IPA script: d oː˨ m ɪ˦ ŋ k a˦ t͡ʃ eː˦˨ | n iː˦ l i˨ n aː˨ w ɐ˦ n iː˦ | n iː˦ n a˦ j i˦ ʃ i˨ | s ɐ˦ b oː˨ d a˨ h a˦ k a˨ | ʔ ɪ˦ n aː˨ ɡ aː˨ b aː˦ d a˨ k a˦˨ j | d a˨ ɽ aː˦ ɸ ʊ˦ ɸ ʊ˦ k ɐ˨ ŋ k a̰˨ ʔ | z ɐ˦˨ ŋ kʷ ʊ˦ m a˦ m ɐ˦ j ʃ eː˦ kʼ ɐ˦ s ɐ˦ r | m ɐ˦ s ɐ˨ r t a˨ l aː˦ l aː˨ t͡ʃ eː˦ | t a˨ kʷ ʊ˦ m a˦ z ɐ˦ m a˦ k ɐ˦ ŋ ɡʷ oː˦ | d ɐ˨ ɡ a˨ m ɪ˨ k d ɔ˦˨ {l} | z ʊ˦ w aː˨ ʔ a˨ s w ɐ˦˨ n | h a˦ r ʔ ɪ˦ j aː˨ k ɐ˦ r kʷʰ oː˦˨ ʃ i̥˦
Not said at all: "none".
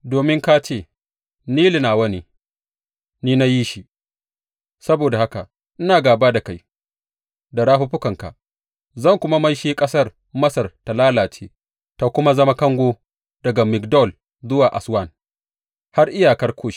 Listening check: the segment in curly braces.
l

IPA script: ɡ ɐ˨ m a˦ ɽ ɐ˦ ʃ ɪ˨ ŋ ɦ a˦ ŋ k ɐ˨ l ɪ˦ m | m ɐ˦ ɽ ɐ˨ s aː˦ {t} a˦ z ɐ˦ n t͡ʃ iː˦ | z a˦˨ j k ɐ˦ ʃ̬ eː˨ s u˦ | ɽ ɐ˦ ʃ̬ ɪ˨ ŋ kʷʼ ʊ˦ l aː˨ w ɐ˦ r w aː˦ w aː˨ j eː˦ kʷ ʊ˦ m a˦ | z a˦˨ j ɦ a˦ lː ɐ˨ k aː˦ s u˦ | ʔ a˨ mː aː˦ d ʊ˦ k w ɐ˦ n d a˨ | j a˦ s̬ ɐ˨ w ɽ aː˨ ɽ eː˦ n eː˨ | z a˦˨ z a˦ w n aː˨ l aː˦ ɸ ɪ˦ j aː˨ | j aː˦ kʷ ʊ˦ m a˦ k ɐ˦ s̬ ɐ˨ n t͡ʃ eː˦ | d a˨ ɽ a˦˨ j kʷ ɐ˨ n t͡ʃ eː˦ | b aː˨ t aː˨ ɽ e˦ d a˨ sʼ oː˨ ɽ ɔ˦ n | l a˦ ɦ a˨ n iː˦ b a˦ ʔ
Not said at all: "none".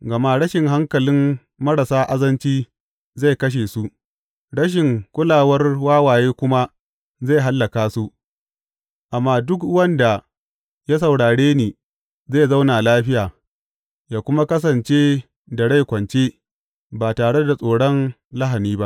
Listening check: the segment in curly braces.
ʔ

